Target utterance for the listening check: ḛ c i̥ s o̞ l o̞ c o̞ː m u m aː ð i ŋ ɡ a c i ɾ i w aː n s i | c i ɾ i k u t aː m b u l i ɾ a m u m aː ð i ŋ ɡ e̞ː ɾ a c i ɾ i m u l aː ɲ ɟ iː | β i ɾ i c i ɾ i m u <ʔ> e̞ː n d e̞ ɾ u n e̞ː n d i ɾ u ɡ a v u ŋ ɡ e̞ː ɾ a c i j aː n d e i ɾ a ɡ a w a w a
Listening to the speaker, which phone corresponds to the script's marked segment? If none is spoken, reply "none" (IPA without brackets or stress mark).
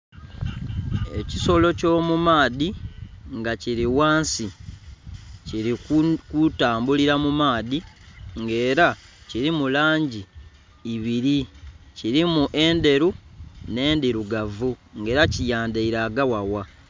ʔ